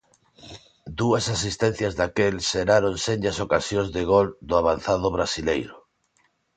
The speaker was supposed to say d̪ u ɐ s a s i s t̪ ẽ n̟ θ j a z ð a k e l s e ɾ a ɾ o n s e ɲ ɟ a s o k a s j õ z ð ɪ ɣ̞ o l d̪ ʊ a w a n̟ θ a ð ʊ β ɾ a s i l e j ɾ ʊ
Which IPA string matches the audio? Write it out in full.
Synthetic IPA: d̪ u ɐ s a s i s t̪ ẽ n̟ θ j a z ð a k e l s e ɾ a ɾ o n s e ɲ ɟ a s o k a s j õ z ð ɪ ɣ̞ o l d̪ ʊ a β a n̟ θ a ð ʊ β ɾ a s i l e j ɾ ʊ